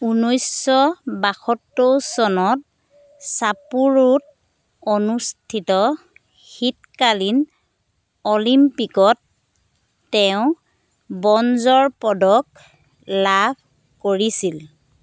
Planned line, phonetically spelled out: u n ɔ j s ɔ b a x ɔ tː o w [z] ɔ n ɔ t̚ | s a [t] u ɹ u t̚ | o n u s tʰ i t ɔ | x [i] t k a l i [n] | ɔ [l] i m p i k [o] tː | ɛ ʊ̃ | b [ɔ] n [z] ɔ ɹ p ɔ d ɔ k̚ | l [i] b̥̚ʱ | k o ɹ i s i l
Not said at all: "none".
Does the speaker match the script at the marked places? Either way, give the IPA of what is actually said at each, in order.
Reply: s, p, i, n, l, ɔ, ɔ, z, a

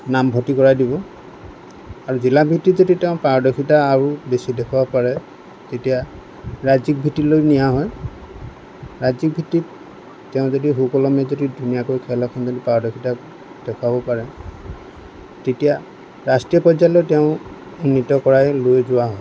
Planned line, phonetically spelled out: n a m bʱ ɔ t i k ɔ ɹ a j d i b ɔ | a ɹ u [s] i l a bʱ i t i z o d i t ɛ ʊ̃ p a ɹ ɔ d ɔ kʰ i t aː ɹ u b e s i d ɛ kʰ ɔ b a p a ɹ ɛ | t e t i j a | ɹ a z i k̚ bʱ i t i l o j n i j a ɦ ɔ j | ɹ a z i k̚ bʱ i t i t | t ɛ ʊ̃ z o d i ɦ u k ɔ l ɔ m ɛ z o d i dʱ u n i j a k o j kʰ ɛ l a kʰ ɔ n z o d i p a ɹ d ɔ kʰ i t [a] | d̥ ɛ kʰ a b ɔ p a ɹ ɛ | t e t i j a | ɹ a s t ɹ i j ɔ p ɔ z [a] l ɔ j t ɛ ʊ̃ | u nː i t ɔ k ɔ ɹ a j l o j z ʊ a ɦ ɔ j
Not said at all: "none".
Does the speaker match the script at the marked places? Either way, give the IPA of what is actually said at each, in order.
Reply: z, a, a

